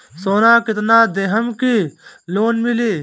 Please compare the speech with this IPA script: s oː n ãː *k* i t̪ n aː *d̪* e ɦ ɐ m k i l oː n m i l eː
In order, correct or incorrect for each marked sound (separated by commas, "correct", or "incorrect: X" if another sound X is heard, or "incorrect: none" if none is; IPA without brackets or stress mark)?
correct, correct